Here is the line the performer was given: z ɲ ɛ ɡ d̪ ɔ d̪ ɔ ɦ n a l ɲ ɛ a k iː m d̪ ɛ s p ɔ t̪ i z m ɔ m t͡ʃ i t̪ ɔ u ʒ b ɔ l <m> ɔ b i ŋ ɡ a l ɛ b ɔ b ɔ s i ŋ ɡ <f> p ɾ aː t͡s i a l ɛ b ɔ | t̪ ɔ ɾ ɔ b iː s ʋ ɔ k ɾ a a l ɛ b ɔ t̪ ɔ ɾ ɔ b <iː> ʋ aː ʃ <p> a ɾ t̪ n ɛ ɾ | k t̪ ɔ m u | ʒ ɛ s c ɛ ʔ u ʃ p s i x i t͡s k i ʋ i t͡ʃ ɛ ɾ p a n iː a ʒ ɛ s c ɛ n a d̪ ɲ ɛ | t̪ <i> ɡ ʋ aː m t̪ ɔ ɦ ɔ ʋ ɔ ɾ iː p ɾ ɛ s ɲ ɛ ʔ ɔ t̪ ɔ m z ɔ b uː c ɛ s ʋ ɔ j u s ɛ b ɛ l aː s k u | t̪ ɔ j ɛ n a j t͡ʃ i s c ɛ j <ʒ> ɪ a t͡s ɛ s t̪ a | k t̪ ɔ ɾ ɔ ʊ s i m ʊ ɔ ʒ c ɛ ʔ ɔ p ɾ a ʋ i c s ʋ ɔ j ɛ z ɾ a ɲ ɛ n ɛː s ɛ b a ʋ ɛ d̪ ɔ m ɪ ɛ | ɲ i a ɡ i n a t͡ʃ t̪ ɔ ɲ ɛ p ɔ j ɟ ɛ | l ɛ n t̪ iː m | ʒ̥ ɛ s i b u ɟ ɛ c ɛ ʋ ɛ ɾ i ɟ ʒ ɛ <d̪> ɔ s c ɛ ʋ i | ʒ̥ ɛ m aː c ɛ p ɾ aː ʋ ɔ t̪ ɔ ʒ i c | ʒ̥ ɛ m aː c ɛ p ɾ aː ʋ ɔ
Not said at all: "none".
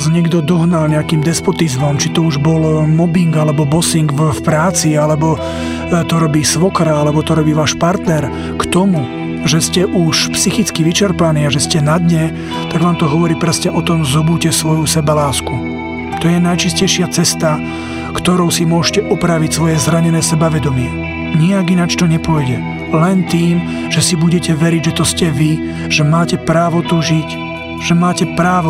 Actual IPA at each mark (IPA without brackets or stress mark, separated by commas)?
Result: m, f, iː, p, a, ʃ, t̪